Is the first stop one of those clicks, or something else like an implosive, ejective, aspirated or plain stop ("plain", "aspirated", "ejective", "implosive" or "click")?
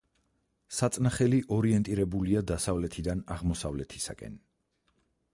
plain